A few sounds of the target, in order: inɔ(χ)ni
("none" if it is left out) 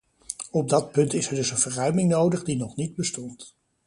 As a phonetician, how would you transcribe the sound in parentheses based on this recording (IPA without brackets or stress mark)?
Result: χ